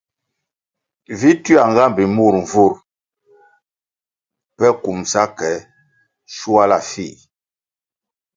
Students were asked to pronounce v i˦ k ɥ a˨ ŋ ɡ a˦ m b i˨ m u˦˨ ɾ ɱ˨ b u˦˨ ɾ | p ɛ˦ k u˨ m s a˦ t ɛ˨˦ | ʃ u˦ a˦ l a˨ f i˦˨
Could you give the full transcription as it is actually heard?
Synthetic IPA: v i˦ t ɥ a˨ ŋ ɡ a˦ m b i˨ m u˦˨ ɾ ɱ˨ v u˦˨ ɾ | p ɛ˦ k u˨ m s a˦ k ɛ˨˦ | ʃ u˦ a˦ l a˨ f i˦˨